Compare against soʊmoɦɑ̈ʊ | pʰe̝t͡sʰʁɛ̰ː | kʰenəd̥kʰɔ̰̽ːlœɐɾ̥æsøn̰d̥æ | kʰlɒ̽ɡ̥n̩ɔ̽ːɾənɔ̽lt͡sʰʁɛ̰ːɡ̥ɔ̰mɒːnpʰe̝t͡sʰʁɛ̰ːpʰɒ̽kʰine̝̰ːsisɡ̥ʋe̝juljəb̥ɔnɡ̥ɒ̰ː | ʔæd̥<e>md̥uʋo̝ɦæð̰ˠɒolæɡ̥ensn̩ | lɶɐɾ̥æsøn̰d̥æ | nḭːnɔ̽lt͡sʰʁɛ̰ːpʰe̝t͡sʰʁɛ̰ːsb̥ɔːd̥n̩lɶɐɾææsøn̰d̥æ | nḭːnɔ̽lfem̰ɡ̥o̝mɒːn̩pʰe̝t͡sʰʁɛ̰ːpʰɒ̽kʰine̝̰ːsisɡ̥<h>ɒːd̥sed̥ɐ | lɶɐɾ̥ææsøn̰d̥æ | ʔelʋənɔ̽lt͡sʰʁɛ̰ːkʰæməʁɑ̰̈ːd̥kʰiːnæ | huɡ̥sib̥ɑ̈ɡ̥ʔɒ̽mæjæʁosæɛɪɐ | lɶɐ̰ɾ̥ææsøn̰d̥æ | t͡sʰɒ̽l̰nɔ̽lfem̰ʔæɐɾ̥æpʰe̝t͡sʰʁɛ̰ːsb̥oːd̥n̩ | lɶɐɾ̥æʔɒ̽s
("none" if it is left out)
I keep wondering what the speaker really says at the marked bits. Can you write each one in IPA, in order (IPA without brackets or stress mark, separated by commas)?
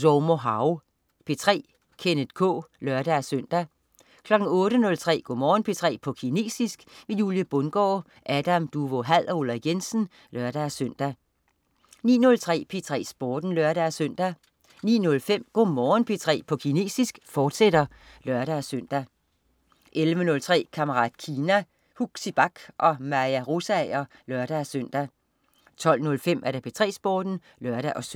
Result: æ, f